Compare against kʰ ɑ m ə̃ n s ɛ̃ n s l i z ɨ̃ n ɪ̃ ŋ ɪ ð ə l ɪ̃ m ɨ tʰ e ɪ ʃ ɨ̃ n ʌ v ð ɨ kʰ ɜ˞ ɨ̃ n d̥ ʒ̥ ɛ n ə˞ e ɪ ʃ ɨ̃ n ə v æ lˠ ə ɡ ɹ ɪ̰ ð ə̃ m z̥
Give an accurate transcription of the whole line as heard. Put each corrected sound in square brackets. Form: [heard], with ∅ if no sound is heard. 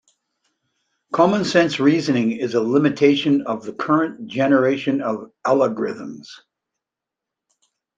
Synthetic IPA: kʰ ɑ m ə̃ n s ɛ̃ n s [ɹ] i z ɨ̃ n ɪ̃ ŋ ɪ [z] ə l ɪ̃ m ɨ tʰ e ɪ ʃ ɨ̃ n ʌ v ð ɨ kʰ ɜ˞ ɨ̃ n d̥ ʒ̥ ɛ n ə˞ e ɪ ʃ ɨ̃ n [ʌ] v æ lˠ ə ɡ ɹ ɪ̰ ð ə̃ m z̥